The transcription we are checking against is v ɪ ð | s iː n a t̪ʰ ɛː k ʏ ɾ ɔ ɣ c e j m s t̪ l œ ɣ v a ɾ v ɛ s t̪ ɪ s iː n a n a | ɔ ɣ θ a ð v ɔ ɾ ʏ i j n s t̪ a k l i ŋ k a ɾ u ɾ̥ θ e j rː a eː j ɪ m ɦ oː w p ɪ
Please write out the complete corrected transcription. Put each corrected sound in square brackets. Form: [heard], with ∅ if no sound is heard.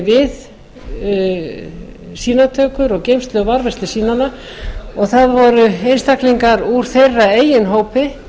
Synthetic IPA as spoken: v ɪ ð | s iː n a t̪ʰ [œː] k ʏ ɾ ɔ ɣ c e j m s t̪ l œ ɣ v a ɾ v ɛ s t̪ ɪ s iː n a n a | ɔ ɣ θ a ð v ɔ ɾ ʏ [e] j n s t̪ a k l i ŋ k a ɾ u ɾ̥ θ e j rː a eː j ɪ [n] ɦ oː w p ɪ